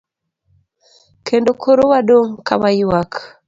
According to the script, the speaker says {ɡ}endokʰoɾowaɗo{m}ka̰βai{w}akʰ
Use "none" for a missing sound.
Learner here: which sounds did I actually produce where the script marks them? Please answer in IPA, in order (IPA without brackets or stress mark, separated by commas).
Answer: k, ŋ, w